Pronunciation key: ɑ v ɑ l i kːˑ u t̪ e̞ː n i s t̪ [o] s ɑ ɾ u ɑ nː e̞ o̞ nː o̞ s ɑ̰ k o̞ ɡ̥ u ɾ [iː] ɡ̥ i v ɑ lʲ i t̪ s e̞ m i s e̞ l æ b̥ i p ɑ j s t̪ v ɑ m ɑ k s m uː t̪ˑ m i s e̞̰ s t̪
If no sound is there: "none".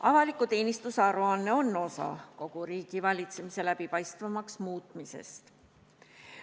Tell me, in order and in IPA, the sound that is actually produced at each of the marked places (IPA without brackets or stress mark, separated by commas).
u, iː